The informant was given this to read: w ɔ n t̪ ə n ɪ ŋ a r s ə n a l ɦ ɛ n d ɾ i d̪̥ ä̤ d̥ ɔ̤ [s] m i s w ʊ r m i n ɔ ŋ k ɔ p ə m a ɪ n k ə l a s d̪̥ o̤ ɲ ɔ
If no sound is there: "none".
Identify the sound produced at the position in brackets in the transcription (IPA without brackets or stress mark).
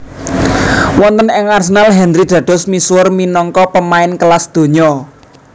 s